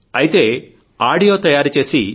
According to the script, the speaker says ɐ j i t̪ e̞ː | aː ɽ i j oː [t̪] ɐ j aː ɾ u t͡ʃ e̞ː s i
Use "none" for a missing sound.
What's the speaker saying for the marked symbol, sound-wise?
t̪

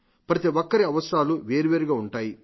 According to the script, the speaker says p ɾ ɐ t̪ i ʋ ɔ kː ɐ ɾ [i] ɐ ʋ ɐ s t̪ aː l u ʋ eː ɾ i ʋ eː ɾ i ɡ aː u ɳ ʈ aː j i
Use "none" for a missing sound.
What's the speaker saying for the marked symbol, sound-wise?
i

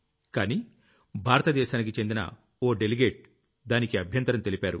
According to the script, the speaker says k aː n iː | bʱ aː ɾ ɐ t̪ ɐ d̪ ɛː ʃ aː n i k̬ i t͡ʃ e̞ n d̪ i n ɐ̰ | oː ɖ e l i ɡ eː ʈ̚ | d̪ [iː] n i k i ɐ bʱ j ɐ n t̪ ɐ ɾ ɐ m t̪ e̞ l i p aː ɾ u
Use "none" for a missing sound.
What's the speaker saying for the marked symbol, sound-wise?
aː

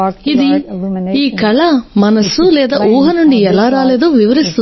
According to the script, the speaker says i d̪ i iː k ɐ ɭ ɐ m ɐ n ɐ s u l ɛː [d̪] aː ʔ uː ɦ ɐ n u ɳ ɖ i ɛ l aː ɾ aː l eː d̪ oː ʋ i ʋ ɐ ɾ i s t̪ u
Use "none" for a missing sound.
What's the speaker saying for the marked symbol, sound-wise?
d̪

